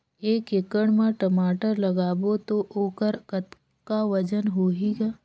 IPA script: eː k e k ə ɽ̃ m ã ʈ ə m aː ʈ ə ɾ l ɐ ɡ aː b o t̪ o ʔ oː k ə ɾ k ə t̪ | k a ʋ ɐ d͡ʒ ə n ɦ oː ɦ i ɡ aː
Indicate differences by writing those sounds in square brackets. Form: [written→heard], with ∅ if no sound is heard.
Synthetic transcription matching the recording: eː k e k ə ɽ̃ m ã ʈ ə m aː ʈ ə ɾ l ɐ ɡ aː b o t̪ o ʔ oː k ə ɾ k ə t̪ | k a ʋ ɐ d͡ʒ ə n ɦ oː ɦ i ɡ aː